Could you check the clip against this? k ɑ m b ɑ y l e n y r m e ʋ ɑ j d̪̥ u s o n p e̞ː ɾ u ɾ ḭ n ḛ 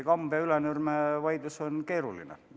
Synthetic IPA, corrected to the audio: k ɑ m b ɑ y l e n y r m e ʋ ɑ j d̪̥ u s o n k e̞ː ɾ u l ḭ n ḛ